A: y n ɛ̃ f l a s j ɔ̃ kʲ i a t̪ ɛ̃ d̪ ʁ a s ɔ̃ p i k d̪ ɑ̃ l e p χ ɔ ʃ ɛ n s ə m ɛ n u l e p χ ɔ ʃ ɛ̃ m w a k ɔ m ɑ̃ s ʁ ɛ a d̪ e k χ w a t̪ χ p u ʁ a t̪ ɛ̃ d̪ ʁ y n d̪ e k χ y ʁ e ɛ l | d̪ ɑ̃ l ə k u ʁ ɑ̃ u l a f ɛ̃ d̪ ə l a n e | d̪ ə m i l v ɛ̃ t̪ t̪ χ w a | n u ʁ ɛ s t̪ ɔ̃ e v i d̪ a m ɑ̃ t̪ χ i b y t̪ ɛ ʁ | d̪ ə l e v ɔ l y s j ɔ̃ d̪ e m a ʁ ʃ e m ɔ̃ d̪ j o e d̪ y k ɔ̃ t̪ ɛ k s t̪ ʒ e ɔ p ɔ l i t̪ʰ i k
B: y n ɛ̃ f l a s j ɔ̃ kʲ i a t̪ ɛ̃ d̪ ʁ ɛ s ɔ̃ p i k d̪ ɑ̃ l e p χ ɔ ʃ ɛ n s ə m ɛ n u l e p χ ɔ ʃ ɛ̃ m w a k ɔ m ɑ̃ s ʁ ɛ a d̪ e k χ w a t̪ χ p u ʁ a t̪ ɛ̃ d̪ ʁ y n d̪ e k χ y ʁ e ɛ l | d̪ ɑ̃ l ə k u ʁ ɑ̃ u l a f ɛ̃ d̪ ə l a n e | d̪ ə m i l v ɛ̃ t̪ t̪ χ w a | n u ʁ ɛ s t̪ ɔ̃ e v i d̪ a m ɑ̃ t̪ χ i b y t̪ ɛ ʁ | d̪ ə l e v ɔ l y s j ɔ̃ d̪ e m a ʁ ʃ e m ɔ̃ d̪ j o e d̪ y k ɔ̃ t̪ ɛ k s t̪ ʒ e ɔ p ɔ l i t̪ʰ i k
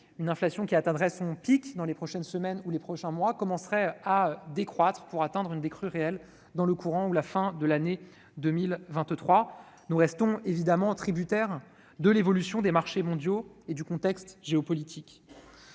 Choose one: B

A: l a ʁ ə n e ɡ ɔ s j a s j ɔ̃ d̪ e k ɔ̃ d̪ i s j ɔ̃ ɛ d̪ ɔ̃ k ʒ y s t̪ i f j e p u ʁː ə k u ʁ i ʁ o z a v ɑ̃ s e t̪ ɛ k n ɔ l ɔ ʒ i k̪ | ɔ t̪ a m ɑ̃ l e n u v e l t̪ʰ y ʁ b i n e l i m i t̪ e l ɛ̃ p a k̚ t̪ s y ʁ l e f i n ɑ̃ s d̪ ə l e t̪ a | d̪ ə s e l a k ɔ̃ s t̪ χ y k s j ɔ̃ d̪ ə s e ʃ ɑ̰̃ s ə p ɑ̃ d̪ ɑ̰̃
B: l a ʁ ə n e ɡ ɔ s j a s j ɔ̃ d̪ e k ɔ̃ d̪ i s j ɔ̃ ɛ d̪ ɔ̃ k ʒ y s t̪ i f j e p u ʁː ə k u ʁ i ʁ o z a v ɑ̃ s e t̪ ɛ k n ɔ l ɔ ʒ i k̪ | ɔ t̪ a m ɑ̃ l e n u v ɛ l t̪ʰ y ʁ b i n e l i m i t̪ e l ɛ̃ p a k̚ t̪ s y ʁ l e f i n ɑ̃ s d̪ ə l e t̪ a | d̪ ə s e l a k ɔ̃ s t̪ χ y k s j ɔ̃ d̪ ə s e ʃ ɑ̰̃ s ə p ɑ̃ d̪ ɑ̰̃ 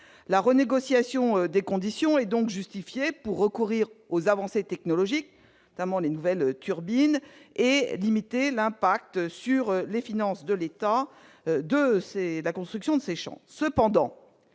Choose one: B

